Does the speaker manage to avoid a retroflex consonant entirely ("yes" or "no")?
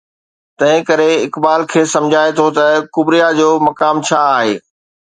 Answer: yes